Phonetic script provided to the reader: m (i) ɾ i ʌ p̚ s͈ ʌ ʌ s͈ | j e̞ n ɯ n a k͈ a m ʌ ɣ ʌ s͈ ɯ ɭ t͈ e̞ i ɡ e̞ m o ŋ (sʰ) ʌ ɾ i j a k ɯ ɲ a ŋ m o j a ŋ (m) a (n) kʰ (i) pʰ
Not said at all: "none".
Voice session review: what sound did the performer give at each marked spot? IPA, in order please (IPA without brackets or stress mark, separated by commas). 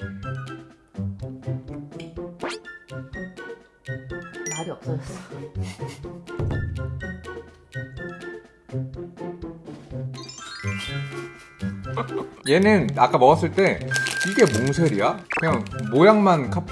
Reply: a, sʰ, m, n, a